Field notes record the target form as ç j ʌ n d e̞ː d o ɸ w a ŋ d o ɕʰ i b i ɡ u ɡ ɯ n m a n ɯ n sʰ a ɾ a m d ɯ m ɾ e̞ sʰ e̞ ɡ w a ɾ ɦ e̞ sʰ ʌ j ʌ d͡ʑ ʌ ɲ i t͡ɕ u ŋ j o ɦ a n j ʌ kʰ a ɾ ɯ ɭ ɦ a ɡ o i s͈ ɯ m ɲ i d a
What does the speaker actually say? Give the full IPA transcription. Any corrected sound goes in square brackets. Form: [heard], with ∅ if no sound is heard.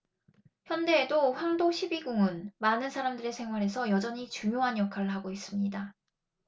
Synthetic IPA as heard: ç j ʌ n d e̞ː d o ɸ w a ŋ d o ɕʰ i b i ɡ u [ŋ] ɯ n m a n ɯ n sʰ a ɾ a m d ɯ [∅] ɾ e̞ sʰ e̞ [ŋ] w a ɾ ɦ e̞ sʰ ʌ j ʌ d͡ʑ ʌ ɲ i t͡ɕ u ŋ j o ɦ a n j ʌ kʰ a ɾ ɯ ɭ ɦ a ɡ o i s͈ ɯ m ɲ i d a